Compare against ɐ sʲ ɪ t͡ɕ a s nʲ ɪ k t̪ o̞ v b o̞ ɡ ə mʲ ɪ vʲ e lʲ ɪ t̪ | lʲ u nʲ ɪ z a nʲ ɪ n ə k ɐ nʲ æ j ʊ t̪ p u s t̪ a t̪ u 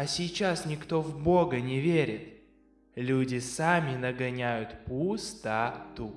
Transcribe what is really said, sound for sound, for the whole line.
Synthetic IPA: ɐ sʲ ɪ t͡ɕ a s nʲ ɪ k t̪ o̞ v b o̞ ɡ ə nʲ ɪ vʲ e ɾʲ ɪ t̪ | lʲ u dʲ ɪ s a mʲ ɪ n ə ɡ ɐ nʲ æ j ʊ t̪ p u s t̪ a t̪ u